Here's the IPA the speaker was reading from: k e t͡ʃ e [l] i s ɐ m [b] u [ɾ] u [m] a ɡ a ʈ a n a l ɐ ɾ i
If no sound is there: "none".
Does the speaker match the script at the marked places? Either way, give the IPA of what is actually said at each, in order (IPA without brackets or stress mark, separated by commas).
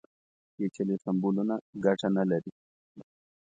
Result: l, b, l, n